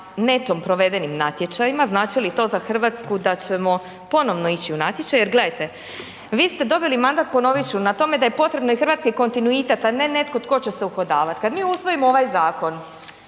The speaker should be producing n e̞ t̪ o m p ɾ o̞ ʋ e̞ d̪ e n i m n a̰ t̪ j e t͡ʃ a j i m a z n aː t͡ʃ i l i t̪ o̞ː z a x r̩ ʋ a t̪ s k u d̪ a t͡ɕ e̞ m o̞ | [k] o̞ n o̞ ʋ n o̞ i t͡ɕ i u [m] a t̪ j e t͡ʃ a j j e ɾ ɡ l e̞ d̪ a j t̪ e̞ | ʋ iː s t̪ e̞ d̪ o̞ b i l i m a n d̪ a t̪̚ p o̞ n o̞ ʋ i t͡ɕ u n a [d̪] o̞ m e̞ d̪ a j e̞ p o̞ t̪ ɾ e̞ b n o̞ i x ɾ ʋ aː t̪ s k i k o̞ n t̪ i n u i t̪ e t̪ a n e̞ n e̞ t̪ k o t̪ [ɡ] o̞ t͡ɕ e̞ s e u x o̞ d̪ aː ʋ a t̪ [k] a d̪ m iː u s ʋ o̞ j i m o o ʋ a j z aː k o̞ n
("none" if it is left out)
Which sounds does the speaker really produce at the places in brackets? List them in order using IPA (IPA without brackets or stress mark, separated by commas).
p, n, t̪, k, k